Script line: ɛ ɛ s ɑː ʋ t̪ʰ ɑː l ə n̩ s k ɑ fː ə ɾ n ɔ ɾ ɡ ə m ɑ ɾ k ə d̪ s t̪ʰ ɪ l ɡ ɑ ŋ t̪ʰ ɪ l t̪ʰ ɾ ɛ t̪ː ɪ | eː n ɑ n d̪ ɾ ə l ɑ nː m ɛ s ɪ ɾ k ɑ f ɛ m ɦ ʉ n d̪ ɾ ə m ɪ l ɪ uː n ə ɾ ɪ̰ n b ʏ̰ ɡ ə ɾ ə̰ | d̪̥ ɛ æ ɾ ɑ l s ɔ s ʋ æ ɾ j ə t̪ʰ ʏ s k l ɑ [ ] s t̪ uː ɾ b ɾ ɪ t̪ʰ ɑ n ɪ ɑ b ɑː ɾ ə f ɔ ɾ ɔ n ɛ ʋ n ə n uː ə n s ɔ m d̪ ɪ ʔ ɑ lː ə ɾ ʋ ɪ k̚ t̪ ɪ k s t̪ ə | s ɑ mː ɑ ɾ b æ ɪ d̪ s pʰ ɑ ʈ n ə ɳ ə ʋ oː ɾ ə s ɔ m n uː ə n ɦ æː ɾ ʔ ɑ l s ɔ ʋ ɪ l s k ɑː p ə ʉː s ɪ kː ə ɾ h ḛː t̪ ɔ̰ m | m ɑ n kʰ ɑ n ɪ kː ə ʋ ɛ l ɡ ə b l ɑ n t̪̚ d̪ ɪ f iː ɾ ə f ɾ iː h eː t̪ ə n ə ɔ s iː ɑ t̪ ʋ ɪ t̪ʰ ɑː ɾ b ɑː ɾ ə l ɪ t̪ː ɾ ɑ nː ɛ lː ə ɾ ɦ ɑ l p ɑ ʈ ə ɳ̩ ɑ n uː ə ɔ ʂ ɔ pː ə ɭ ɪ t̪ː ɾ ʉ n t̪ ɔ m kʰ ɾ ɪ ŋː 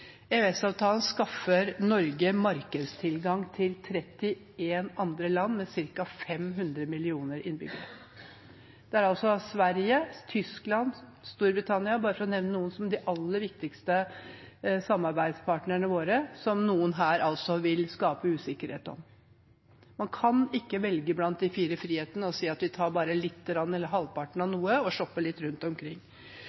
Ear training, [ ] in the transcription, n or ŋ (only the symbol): n